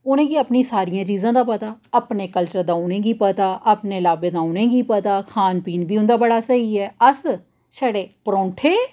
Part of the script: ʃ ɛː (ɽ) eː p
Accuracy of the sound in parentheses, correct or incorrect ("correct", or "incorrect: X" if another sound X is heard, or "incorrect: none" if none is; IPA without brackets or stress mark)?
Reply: correct